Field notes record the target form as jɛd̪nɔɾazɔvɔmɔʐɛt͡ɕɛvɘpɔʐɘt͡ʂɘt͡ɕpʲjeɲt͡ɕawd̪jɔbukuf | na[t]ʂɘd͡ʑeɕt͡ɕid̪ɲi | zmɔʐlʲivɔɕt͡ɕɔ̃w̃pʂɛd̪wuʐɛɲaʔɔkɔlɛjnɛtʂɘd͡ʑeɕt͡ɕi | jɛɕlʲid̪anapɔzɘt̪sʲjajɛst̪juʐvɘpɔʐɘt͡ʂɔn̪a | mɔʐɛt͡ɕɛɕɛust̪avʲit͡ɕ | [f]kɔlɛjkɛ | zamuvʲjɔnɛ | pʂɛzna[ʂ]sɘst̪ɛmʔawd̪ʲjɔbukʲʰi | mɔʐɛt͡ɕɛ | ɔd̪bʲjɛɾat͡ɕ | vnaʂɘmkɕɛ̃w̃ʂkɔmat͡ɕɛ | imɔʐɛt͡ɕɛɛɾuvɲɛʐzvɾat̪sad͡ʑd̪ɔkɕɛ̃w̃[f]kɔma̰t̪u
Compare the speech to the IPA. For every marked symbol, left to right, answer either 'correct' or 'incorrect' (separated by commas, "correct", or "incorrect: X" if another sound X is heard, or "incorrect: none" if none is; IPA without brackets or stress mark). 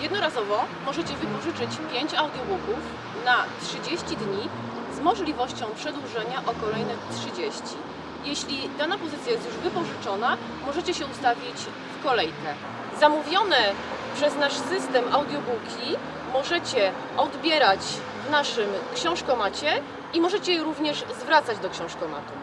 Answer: correct, correct, correct, incorrect: ʂ